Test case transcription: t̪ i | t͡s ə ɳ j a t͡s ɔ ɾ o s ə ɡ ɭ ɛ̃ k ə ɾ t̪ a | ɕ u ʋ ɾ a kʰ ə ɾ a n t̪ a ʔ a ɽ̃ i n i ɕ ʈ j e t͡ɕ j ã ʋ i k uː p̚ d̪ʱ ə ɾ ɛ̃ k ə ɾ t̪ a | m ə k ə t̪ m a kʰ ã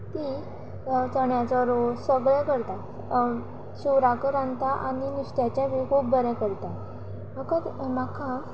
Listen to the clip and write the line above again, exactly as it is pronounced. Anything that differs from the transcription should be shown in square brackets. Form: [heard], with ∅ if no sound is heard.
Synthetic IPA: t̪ i | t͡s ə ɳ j a t͡s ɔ ɾ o s ə ɡ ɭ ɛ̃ k ə ɾ t̪ a | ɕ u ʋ ɾ a [k] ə ɾ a n t̪ a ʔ a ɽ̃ i n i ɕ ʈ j [a] t͡ɕ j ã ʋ i k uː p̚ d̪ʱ ə ɾ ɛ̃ k ə ɾ t̪ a | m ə k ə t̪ m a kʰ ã